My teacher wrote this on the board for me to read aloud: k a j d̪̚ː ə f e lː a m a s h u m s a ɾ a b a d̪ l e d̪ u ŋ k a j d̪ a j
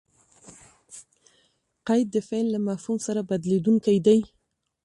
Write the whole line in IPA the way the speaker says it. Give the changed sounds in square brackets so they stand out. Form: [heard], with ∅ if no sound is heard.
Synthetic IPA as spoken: [q] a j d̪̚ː ə f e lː a m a [f] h u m s a ɾ a b a d̪ l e d̪ u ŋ k a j d̪ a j